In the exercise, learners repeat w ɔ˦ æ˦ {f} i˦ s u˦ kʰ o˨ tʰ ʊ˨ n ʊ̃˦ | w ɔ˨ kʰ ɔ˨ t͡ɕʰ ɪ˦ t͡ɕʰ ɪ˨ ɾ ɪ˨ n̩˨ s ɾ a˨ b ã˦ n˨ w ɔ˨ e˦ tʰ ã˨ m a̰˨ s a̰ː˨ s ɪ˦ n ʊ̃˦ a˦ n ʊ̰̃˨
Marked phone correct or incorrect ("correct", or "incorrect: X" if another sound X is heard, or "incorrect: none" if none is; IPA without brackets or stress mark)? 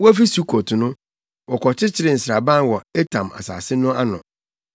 correct